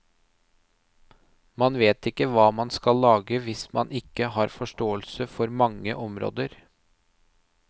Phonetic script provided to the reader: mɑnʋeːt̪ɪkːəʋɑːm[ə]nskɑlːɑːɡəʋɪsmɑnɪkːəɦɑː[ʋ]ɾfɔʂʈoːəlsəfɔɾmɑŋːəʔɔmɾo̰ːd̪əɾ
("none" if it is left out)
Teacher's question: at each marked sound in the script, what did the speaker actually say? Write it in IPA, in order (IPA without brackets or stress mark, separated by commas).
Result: ɑ, none